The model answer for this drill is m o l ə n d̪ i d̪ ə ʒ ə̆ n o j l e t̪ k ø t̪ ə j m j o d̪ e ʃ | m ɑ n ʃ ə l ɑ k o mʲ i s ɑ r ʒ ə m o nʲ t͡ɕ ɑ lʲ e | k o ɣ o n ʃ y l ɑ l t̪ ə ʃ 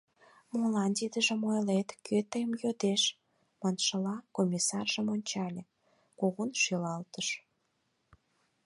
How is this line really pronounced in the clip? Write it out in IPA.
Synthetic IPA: m o l ɑ n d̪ i d̪ ə ʒ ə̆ m o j l e t̪ k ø t̪ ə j m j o d̪ e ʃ | m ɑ n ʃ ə l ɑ k o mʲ i s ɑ r ʒ ə m o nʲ t͡ɕ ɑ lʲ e | k o ɣ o n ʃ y l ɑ l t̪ ə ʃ